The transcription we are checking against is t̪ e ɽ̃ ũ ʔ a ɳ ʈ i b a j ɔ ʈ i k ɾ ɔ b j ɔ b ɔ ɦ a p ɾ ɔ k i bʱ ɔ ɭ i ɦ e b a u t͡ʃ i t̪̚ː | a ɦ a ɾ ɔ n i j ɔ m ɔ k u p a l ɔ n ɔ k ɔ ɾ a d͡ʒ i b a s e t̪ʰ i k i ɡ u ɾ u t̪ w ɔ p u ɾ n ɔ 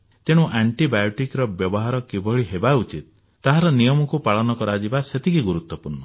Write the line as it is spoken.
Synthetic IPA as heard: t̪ e ɽ̃ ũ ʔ a ɳ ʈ i b a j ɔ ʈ i k ɾ ɔ b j ɔ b ɔ ɦ a ɾ ɔ k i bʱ ɔ ɭ i ɦ e b a u t͡ʃ i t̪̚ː | a ɦ a ɾ ɔ n i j ɔ m ɔ k u p a ɭ ɔ n ɔ k ɔ ɾ a d͡ʒ i b a s e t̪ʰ i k i ɡ u ɾ u t̪ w ɔ p u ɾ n ɔ